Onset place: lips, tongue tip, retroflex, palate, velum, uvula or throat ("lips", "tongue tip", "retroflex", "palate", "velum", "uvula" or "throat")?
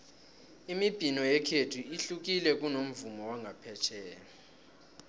lips